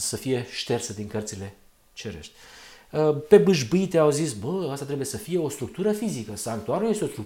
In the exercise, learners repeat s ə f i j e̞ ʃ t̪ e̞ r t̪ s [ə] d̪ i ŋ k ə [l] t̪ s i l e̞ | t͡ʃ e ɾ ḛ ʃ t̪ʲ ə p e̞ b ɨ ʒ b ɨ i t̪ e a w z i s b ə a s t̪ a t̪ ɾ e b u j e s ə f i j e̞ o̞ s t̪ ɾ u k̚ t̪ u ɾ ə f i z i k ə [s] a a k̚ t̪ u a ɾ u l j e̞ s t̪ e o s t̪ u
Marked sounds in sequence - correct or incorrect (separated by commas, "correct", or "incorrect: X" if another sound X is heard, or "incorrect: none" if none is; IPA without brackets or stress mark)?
correct, incorrect: r, correct